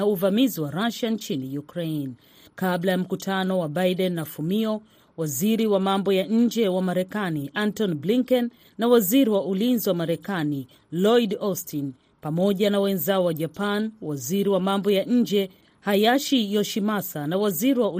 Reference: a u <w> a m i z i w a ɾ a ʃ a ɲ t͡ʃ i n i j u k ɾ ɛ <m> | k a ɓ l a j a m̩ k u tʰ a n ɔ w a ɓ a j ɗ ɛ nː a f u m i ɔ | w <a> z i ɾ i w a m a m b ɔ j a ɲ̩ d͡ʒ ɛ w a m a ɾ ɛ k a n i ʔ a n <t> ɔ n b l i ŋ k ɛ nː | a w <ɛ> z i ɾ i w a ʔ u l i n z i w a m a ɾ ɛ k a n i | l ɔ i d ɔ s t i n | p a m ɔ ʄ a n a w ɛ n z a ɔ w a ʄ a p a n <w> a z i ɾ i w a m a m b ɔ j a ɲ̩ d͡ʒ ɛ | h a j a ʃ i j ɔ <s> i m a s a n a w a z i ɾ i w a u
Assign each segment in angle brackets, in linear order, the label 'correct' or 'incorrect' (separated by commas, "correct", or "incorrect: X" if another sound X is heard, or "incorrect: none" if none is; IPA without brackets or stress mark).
incorrect: v, incorrect: n, correct, correct, incorrect: a, correct, incorrect: ʃ